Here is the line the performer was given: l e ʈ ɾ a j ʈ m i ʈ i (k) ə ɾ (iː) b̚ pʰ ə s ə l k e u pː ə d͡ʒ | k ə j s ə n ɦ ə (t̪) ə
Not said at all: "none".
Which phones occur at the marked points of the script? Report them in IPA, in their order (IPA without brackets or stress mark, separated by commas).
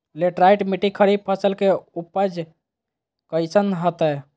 kʰ, i, t̪